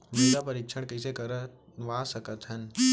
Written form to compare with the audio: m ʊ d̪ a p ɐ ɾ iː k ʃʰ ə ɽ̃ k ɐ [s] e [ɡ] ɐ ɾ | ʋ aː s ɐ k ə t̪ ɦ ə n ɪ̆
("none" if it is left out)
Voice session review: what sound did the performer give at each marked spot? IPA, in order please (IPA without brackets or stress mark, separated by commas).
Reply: s, k